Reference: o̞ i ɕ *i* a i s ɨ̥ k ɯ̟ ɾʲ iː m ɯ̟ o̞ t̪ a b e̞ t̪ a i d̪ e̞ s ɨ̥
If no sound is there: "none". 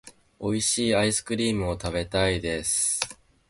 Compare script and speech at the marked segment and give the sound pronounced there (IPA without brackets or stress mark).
iː